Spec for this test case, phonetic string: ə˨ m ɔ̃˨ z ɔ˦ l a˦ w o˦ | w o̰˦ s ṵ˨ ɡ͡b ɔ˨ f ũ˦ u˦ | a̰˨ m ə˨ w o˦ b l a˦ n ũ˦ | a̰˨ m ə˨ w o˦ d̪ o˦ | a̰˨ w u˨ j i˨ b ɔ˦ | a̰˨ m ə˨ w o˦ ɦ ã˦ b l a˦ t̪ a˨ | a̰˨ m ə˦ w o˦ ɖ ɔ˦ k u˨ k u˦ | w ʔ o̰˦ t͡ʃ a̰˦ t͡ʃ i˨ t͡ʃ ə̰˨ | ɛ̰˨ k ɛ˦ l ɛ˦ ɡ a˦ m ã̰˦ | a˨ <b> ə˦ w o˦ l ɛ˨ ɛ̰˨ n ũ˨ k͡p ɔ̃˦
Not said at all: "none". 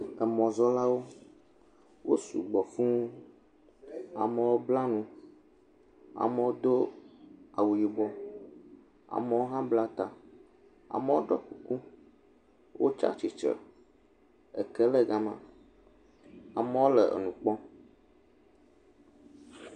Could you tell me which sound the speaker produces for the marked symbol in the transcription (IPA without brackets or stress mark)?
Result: m